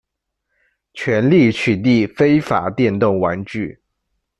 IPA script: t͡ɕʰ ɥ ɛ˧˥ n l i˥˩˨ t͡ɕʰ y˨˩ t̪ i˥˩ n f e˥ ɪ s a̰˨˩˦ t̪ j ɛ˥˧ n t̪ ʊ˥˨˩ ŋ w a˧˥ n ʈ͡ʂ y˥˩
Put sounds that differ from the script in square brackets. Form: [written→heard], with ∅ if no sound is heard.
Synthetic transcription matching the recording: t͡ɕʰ ɥ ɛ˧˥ n l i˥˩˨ t͡ɕʰ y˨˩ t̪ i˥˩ [n→∅] f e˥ ɪ [s→f] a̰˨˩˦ t̪ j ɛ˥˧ n t̪ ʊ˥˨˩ ŋ w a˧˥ n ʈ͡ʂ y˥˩